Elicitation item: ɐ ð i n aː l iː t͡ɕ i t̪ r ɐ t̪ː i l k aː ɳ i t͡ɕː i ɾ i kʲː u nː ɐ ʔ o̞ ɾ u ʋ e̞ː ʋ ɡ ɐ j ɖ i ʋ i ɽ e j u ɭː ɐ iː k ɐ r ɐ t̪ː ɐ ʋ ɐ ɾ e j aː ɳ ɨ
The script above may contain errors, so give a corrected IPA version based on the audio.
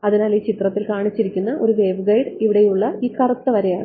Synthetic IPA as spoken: ɐ ð i n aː l iː t͡ɕ i t̪ r ɐ t̪ː i l k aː ɳ i t͡ɕː i ɾ i kʲː u nː ɐ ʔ o̞ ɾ u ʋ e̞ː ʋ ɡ ɐ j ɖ i ʋ i ɽ e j u ɭː ɐ iː k ɐ r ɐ t̪ː ɐ ʋ ɐ ɾ e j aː ɳ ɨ